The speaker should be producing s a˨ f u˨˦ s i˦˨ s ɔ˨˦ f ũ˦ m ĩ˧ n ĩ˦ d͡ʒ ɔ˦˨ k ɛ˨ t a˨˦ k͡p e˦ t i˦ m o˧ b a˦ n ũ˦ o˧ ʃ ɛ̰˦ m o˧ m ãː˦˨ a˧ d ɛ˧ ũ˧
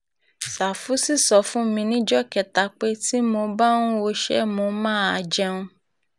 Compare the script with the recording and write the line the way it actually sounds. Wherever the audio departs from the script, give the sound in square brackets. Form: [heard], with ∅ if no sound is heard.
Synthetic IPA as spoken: s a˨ f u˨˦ s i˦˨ s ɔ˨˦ f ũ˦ m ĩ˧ n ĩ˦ d͡ʒ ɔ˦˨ k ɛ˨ t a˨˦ k͡p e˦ t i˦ m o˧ b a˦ n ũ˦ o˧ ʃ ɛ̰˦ m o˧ m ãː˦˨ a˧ [d͡ʒ] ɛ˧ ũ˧